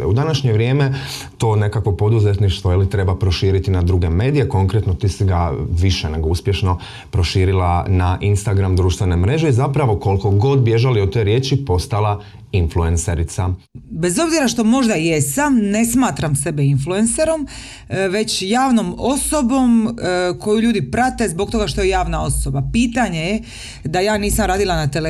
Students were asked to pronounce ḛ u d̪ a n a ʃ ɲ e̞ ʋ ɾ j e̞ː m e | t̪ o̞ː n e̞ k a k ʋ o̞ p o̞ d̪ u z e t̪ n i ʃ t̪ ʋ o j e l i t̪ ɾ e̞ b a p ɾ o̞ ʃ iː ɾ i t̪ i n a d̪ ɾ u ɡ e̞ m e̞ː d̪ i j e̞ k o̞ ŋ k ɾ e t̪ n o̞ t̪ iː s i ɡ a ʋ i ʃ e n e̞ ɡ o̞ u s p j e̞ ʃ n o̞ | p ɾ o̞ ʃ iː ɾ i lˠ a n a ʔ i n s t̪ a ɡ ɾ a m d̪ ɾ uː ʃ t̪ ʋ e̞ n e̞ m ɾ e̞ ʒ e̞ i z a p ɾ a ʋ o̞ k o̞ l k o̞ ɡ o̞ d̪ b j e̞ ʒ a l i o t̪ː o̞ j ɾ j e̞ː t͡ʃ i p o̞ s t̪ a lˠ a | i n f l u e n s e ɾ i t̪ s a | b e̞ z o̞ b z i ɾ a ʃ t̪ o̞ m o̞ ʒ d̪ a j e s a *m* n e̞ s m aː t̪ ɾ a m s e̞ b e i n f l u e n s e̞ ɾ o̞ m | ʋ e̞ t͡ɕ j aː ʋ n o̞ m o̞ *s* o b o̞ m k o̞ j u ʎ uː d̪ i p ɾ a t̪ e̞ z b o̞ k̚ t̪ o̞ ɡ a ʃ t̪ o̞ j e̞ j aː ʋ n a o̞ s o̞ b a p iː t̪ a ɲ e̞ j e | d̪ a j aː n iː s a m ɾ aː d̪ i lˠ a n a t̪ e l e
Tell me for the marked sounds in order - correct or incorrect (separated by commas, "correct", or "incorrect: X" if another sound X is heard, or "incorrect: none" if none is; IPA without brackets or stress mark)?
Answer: correct, correct